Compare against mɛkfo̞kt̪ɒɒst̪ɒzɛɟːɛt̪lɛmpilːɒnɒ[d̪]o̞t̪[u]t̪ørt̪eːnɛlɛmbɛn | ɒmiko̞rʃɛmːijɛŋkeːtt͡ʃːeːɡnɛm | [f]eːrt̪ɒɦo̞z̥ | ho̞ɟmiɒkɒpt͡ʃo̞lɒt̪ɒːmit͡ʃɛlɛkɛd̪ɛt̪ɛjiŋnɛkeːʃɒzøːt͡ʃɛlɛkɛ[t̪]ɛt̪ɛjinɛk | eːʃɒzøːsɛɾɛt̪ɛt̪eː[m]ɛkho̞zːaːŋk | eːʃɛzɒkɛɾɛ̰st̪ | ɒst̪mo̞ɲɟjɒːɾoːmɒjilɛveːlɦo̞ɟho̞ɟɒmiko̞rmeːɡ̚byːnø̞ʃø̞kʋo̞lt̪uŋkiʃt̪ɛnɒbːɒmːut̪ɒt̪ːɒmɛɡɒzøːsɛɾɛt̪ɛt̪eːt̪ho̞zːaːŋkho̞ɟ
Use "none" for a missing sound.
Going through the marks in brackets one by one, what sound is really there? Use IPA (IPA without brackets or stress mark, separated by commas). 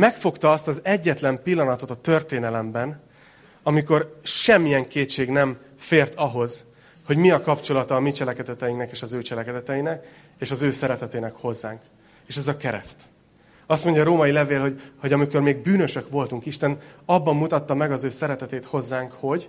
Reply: t̪, ɒ, f, d̪, n